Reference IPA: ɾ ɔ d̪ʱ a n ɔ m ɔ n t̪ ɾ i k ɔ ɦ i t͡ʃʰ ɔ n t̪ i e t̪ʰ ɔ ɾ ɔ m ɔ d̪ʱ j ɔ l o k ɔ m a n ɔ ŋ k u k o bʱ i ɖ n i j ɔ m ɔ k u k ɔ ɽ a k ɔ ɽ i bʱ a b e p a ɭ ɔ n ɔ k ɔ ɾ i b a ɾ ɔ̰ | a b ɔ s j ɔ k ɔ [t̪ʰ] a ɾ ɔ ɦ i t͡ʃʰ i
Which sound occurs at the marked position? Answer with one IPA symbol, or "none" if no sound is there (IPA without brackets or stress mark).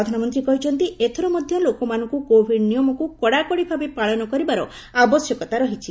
t̪